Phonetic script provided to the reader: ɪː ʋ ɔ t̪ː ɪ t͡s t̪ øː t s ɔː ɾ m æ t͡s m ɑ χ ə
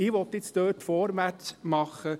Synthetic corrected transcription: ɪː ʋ ɔ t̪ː ɪ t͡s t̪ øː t f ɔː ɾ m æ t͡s m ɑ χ ə